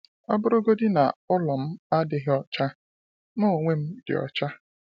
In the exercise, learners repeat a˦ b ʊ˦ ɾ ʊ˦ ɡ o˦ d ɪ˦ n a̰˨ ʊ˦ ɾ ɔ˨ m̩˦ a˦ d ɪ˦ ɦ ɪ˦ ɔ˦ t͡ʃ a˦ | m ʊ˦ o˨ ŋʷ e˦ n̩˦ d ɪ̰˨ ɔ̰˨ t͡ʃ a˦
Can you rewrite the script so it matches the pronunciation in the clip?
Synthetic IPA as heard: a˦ b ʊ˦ ɾ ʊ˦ ɡ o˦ d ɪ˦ n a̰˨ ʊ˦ l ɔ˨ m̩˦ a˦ d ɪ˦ ɦ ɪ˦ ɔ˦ t͡ʃ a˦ | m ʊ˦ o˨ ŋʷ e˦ m̩˦ d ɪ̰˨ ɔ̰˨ t͡ʃ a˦